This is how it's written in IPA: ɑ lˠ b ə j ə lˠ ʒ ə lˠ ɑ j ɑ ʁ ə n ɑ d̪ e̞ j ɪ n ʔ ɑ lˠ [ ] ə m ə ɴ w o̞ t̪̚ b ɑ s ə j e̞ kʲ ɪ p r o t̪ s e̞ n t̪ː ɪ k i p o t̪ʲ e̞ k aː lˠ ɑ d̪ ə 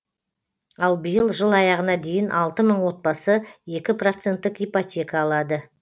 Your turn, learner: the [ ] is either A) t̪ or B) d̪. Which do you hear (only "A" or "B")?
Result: A